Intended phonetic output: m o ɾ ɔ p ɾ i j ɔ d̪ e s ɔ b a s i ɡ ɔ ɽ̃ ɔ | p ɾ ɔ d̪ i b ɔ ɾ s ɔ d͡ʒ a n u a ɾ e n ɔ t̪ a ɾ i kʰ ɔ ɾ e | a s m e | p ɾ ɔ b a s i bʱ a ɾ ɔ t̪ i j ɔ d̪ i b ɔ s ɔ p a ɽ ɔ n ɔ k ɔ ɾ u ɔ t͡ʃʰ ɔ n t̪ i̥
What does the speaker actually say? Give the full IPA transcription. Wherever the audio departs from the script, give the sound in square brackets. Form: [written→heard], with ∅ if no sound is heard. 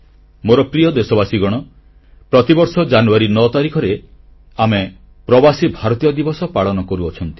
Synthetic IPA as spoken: m o ɾ ɔ p ɾ i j ɔ d̪ e s ɔ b a s i ɡ ɔ ɽ̃ ɔ | p ɾ ɔ [d̪→t̪] i b ɔ ɾ s ɔ d͡ʒ a n u a ɾ [e→i] n ɔ t̪ a ɾ i kʰ ɔ ɾ e | a [s→∅] m e | p ɾ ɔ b a s i bʱ a ɾ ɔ t̪ i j ɔ d̪ i b ɔ s ɔ p a [ɽ→ɭ] ɔ n ɔ k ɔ ɾ u ɔ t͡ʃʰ ɔ n t̪ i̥

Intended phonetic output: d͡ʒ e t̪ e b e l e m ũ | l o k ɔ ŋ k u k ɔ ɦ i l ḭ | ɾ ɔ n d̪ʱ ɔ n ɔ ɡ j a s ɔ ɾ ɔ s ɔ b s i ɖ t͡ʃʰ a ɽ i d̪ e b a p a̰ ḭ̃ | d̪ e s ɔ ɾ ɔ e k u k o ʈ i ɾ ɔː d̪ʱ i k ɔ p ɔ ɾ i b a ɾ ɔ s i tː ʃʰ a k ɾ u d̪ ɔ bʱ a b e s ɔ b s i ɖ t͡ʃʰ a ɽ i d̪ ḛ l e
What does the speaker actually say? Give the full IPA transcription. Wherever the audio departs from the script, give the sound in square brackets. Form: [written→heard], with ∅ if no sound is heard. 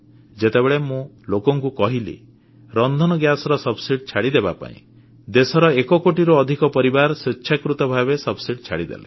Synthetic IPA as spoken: d͡ʒ e t̪ e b e [l→ɭ] e m ũ | l o k ɔ ŋ k u k ɔ ɦ i l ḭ | ɾ ɔ n d̪ʱ ɔ n ɔ ɡ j a s ɔ ɾ ɔ s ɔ b s i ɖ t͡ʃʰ a ɽ i d̪ e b a p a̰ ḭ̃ | d̪ e s ɔ ɾ ɔ e k [u→ɔ] k o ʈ i ɾ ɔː d̪ʱ i k ɔ p ɔ ɾ i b a ɾ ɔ s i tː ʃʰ a k ɾ u [d̪→t̪] ɔ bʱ a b e s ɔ b s i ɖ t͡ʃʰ a ɽ i d̪ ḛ l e

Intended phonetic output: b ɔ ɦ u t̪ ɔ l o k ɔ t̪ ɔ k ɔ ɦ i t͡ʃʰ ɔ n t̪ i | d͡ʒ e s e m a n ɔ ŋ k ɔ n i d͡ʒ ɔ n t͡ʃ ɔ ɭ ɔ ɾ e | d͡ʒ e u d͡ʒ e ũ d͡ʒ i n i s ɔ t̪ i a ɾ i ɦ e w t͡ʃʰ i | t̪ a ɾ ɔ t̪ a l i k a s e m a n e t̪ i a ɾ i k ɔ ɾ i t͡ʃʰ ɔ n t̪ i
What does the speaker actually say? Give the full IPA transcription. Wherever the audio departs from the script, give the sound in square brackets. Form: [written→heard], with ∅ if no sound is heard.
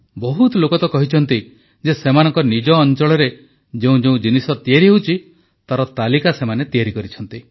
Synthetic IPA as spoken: b ɔ ɦ u t̪ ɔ l o k ɔ t̪ ɔ k ɔ ɦ i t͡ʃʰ ɔ n t̪ i | d͡ʒ e s e m a n ɔ ŋ k ɔ n i d͡ʒ [ɔ→ɔː] n t͡ʃ ɔ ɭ ɔ ɾ e | d͡ʒ e [u→ũ] d͡ʒ e ũ d͡ʒ i n i s ɔ t̪ i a ɾ i ɦ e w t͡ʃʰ i | t̪ a ɾ ɔ t̪ a l i k a s e m a n e t̪ i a ɾ i k ɔ ɾ i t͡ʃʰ ɔ n t̪ i

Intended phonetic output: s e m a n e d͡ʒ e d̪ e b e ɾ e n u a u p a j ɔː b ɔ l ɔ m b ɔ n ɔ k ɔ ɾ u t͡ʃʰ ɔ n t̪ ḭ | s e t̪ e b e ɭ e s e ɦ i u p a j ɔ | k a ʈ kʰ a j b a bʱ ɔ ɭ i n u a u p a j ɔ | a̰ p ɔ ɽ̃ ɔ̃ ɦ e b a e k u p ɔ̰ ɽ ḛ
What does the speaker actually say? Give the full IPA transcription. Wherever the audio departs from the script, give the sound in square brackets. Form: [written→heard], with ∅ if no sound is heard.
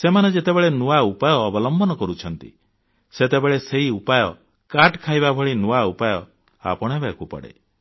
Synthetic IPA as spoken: s e m a n e d͡ʒ e [d̪→t̪] e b e [ɾ→ɭ] e n u a u p a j ɔː b ɔ l ɔ m b ɔ n ɔ k ɔ ɾ u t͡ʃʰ ɔ n t̪ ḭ | s e t̪ e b e ɭ e s e ɦ i u p a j ɔ | k a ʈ kʰ a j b a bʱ ɔ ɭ i n u a u p a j ɔ | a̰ p ɔ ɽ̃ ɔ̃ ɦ e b a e k u p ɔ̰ ɽ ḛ

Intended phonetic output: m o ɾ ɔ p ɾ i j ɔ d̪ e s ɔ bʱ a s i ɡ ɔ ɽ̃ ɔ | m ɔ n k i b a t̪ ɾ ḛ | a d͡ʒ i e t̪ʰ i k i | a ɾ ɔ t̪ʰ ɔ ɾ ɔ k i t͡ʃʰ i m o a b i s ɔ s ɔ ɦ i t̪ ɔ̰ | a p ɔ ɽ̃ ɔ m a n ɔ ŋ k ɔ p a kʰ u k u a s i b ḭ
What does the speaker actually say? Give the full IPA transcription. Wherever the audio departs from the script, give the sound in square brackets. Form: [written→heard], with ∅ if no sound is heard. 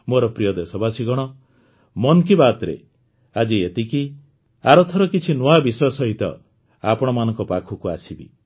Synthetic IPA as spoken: m o ɾ ɔ p ɾ i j ɔ d̪ e s ɔ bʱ a s i ɡ ɔ ɽ̃ ɔ | m ɔ n k i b a t̪ ɾ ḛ | a d͡ʒ i e [t̪ʰ→t̪] i k i | a ɾ ɔ t̪ʰ ɔ ɾ ɔ k i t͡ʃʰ i [m→n] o a b i s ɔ s ɔ ɦ i t̪ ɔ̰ | a p ɔ ɽ̃ ɔ m a n ɔ ŋ k ɔ p a kʰ u k u a s i b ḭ

